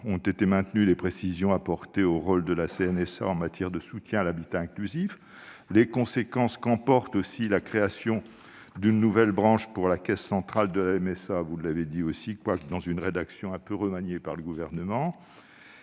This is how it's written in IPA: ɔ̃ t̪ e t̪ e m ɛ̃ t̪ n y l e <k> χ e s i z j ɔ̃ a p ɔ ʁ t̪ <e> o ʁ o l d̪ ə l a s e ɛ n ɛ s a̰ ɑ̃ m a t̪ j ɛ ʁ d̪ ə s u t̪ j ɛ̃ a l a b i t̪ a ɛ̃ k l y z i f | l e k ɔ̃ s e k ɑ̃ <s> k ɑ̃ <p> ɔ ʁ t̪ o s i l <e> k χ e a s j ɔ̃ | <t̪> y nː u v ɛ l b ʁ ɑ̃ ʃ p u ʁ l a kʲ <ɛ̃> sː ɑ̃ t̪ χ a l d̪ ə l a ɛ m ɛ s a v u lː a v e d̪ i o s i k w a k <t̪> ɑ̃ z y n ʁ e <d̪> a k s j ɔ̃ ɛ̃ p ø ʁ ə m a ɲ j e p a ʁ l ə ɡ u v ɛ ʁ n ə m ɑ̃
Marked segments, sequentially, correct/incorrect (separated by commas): incorrect, correct, correct, correct, incorrect, incorrect, incorrect, incorrect, correct